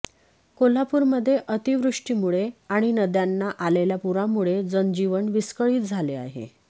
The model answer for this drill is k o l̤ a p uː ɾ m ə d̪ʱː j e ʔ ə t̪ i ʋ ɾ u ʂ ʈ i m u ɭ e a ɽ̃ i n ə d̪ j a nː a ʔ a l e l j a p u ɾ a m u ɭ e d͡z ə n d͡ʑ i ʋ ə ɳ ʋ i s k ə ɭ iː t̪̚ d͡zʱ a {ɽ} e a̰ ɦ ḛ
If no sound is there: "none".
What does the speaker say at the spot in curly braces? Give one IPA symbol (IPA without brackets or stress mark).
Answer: l